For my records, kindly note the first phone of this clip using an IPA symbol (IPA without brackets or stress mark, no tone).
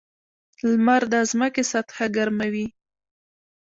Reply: l